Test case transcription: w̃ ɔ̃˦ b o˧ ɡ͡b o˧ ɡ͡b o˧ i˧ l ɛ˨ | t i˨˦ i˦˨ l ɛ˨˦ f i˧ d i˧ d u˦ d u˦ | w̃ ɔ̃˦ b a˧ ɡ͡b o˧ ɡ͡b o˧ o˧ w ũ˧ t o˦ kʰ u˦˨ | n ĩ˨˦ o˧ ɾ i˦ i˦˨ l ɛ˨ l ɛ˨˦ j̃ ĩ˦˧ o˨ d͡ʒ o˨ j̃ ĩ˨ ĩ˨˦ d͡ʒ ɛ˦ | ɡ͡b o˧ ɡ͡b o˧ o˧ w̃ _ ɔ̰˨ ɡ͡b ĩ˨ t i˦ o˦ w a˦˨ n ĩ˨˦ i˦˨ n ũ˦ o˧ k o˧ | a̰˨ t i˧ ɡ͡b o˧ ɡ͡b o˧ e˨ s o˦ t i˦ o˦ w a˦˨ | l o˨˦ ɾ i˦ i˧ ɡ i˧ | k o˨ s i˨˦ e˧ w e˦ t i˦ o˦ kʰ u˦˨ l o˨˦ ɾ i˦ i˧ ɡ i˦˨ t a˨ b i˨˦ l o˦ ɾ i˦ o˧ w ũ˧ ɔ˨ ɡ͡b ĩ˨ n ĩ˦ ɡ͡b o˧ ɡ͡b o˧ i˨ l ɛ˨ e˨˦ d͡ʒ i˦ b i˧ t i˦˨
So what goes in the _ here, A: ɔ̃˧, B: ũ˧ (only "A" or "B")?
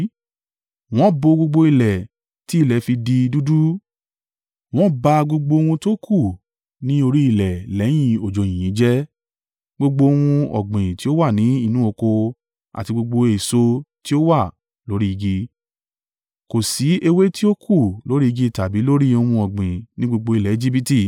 B